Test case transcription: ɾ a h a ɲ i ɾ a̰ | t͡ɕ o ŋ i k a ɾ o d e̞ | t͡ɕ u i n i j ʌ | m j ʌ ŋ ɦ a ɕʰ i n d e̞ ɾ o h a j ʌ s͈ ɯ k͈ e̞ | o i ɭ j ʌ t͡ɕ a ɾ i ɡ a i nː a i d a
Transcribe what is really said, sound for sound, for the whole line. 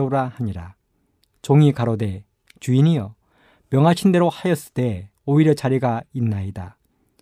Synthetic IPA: ɾ a h a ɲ i ɾ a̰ | t͡ɕ o ŋ i k a ɾ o d e̞ | t͡ɕ u i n i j ʌ | m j ʌ ŋ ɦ a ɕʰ i n d e̞ ɾ o h a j ʌ s͈ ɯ t͈ e̞ | o i ɾ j ʌ t͡ɕ a ɾ i ɡ a i nː a i d a